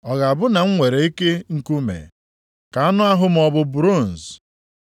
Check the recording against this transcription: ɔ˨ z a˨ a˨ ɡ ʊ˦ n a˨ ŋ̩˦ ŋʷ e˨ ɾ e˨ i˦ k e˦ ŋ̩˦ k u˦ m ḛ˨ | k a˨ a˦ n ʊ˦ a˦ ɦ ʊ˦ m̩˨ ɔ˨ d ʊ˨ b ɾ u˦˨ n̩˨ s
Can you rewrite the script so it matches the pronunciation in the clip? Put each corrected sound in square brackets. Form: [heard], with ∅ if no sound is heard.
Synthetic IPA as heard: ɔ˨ [ɣ] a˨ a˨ [b] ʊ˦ n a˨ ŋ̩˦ ŋʷ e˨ ɾ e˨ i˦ k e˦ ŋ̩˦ k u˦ m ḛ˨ | k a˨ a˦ n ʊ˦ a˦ ɦ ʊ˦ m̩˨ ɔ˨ [b] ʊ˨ b ɾ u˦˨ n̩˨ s